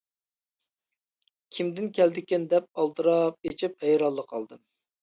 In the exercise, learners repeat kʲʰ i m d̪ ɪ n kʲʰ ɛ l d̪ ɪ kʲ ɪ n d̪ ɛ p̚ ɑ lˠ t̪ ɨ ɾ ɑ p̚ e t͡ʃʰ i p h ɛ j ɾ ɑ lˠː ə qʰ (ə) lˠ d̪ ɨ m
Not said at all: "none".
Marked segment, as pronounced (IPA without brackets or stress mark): ɑ